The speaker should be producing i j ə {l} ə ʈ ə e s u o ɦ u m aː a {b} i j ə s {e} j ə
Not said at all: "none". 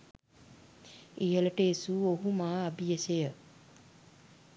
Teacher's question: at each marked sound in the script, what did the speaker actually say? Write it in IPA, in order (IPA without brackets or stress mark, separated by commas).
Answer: l, b, e